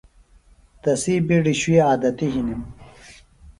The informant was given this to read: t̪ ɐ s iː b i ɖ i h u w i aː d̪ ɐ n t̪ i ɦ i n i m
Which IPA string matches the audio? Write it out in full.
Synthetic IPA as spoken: t̪ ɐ s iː b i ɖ i ɕ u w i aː d̪ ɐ t̪ i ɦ i n i m

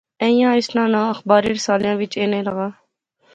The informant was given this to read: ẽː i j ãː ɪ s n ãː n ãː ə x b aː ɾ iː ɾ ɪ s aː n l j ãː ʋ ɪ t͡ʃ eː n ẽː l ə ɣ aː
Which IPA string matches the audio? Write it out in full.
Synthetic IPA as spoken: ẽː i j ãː ɪ s n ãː n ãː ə x b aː ɾ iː ɾ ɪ s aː l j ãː ʋ ɪ t͡ʃ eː n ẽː l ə ɣ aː

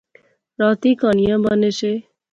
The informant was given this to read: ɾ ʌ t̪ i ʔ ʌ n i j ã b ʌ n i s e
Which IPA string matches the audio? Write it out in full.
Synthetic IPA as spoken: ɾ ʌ t̪ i k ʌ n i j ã b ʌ n e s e

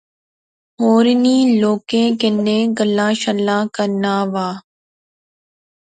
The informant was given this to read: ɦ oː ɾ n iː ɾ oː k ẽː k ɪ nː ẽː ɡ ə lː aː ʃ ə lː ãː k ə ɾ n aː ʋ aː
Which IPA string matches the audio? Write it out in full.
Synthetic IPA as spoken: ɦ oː ɾ n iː l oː k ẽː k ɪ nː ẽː ɡ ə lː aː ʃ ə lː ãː k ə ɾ n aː ʋ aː

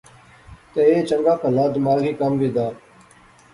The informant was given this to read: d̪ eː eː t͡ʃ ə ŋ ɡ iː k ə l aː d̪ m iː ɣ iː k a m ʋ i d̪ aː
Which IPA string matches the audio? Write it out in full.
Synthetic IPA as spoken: t̪ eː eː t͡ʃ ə ŋ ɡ aː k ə l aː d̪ m aː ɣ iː k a m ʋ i d̪ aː

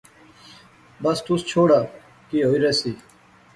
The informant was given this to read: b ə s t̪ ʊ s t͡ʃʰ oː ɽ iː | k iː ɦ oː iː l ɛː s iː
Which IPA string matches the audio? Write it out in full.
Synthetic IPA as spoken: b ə s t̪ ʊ s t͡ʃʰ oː ɽ aː | k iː ɦ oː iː ɾ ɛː s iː

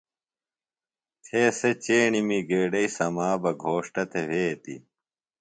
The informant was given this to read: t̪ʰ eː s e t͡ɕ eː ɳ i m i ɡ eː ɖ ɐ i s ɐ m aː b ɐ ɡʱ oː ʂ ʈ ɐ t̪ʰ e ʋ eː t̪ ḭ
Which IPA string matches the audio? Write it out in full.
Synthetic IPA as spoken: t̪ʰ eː s e t͡ɕ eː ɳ i m i ɡ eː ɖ ɐ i s ɐ m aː b ɐ ɡʱ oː ʂ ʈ ɐ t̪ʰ e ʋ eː t̪ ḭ

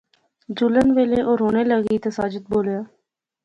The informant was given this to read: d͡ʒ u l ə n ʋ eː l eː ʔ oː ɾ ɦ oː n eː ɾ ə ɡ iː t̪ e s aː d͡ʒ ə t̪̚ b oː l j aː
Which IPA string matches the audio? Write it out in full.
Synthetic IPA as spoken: d͡ʒ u l ə n ʋ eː l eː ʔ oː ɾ ɦ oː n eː l ə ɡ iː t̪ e s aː d͡ʒ ə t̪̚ b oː l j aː

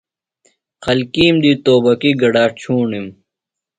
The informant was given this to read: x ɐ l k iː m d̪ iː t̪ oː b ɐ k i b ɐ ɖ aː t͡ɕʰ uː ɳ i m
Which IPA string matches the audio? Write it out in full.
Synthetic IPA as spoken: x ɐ l k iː m d̪ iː t̪ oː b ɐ k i ɡ ɐ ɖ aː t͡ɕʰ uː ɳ i m

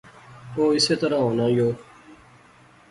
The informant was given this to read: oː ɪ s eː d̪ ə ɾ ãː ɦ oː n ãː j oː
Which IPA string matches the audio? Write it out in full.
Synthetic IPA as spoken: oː ɪ s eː t̪ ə ɾ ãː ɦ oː n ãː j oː

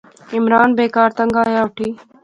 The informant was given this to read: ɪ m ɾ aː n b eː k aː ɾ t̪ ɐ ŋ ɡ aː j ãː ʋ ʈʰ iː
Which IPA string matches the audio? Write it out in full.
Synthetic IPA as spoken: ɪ m ɾ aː n b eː k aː ɾ t̪ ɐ ŋ ɡ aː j aː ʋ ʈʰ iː

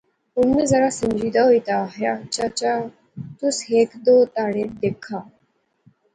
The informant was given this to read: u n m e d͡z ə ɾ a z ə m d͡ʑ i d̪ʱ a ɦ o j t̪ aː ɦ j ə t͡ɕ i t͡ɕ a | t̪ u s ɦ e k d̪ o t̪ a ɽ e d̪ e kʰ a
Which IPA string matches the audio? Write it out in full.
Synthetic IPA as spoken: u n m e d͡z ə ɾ a s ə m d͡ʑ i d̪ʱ a ɦ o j t̪ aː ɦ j a t͡ɕ a t͡ɕ a | t̪ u s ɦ e k d̪ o t̪ a ɽ e d̪ e kʰ a

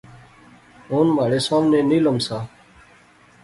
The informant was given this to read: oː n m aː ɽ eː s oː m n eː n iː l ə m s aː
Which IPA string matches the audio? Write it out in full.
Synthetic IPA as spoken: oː n m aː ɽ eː s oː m n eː n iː l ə m s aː

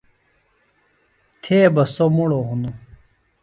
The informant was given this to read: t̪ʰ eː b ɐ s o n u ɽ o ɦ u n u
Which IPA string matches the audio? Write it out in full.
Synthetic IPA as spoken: t̪ʰ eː b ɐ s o m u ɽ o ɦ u n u

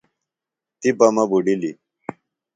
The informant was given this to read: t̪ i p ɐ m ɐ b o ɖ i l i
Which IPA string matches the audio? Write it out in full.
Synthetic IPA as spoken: t̪ i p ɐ m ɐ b u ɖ i l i

